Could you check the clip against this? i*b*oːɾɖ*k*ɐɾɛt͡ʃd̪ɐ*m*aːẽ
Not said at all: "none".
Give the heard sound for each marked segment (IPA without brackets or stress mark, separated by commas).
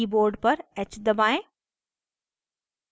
b, p, b